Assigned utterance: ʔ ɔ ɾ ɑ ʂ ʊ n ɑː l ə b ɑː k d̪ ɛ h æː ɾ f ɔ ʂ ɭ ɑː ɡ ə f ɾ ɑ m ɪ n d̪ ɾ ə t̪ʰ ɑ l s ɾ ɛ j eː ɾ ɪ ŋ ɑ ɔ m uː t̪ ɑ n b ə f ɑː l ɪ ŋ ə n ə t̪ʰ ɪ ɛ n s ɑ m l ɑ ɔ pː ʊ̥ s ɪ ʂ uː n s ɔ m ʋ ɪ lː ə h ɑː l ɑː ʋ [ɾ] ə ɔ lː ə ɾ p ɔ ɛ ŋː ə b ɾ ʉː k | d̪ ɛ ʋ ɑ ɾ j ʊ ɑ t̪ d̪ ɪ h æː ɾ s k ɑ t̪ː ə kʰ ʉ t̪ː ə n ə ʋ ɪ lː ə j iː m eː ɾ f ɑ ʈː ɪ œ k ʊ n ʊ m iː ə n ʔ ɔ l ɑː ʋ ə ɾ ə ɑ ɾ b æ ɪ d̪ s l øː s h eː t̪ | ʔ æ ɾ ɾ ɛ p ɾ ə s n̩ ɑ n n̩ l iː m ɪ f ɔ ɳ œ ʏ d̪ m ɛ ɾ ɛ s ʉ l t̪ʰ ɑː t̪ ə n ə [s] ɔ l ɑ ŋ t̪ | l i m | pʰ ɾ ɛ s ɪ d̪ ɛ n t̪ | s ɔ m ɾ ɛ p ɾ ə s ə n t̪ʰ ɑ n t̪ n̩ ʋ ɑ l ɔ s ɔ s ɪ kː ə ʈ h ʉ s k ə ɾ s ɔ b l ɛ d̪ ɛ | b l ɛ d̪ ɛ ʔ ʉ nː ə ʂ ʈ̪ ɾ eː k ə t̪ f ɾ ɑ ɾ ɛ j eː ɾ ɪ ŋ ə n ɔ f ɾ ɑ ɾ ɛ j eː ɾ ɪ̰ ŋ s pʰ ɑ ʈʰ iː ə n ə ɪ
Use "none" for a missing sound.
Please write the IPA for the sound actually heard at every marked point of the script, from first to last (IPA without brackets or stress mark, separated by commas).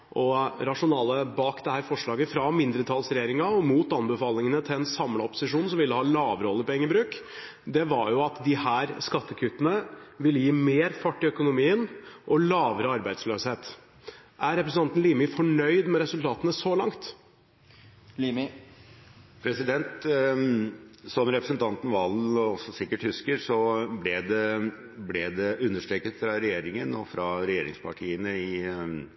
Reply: ɾ, s